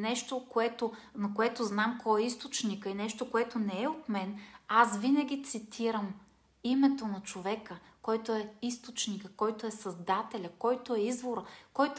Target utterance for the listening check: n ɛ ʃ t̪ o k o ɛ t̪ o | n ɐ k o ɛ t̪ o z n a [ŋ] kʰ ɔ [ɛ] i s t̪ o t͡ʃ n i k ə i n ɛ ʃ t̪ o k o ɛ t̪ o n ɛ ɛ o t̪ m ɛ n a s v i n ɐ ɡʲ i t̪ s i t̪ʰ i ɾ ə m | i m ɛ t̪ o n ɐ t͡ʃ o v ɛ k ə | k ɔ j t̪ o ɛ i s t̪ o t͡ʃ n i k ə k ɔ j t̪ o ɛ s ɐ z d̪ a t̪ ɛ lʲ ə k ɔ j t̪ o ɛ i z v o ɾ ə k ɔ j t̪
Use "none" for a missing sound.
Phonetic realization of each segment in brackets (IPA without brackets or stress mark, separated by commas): m, ɛ